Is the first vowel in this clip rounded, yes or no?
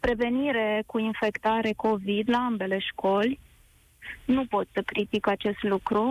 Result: no